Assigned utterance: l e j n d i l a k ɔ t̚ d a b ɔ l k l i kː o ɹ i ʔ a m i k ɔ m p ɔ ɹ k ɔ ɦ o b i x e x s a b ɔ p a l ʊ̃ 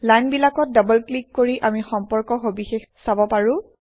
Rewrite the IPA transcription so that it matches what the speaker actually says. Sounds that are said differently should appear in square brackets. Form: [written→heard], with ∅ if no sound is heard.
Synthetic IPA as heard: l [e→a] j n [d→b] i l a k ɔ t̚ d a b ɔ l k l i kː o ɹ i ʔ a m i [k→x] ɔ m p ɔ ɹ k ɔ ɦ o b i x e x s a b ɔ p a [l→ɹ] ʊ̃

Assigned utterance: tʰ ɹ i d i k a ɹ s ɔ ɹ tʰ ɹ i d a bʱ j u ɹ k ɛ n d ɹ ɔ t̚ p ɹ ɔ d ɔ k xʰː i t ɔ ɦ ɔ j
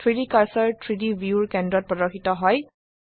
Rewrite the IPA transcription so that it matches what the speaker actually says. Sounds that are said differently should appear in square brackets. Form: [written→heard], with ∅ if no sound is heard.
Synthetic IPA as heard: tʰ ɹ i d i k a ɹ s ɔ ɹ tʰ ɹ i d [a→i] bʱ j u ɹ k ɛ n d ɹ ɔ t̚ p ɹ ɔ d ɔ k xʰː i t ɔ ɦ ɔ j

